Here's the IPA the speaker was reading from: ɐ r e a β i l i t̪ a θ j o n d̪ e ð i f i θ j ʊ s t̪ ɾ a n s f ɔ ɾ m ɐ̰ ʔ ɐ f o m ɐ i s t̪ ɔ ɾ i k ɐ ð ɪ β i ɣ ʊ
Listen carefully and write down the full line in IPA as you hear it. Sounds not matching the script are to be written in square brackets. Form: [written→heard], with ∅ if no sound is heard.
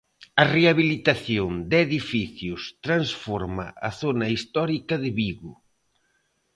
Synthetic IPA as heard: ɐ r e a β i l i t̪ a θ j o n d̪ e ð i f i θ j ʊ s t̪ ɾ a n s f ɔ ɾ m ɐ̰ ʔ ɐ [f→θ] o [m→n] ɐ i s t̪ ɔ ɾ i k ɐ ð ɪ β i ɣ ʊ